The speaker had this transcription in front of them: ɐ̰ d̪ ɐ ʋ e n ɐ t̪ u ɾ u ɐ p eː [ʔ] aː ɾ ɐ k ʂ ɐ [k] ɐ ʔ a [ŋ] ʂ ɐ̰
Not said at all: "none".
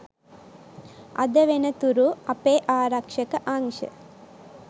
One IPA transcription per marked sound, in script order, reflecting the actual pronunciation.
ʔ, k, ŋ

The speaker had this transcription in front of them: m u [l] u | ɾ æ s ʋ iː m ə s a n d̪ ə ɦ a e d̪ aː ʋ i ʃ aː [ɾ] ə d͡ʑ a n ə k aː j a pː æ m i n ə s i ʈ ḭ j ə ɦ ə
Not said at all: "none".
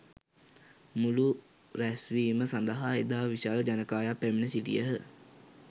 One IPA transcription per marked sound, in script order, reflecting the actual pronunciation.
l, l

